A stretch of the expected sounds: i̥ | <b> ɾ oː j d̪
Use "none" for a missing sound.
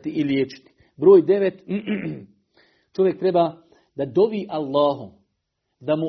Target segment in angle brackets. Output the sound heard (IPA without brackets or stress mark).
b